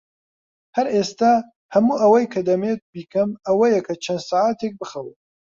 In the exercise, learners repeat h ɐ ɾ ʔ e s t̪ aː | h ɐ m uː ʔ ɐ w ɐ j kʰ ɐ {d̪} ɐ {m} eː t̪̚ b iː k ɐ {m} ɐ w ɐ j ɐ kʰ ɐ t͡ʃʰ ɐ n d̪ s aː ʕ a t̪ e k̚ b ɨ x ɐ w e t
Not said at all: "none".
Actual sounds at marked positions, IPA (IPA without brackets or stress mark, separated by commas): d̪, m, m